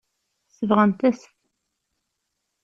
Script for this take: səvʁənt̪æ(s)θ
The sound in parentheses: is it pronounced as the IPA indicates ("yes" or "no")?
yes